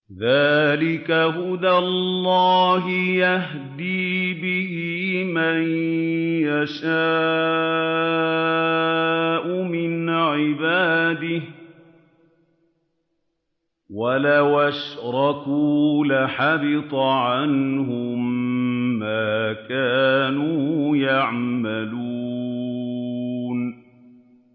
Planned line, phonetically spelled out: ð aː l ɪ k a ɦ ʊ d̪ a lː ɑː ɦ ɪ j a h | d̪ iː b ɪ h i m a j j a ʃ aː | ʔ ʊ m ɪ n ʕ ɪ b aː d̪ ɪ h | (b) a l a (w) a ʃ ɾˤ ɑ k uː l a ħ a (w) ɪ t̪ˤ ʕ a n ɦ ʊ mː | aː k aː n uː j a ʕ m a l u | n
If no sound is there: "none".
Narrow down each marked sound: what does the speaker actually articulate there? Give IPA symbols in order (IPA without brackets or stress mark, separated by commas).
w, w, b